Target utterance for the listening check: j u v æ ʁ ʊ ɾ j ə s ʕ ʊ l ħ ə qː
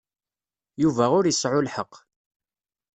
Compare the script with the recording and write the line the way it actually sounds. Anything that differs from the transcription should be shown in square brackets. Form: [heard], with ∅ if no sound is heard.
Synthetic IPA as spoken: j u v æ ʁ ʊ ɾ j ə s ʕ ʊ l ħ ə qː